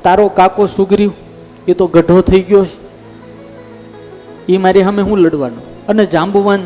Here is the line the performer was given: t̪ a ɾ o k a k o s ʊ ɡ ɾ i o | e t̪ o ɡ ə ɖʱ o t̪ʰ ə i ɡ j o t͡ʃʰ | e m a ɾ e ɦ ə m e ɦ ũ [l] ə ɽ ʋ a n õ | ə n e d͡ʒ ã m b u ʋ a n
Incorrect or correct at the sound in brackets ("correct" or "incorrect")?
correct